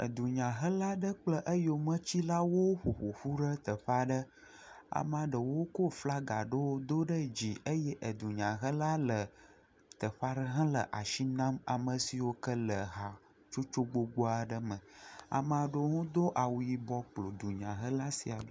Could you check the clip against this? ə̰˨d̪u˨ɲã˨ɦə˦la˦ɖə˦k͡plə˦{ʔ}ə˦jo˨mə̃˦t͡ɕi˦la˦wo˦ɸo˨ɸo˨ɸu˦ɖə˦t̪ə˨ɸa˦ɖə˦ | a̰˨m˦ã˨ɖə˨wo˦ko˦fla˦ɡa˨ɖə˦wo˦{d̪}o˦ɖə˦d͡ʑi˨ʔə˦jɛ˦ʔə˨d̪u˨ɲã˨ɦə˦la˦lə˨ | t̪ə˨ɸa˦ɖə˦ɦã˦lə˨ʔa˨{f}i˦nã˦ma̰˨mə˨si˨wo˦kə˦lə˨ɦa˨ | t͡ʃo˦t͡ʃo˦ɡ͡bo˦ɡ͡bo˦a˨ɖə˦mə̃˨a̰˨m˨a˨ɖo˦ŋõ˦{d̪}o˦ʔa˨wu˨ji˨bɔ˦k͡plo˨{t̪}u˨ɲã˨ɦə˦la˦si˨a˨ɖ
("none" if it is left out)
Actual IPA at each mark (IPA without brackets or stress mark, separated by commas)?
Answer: ʔ, d̪, ʃ, d̪, d̪